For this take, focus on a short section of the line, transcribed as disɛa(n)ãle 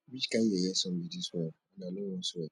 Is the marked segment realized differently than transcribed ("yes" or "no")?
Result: no